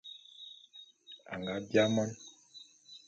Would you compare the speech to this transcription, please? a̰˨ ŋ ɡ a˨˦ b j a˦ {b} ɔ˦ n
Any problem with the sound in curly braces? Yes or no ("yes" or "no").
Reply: yes